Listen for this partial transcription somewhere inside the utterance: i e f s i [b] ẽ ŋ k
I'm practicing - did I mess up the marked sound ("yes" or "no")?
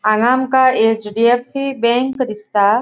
no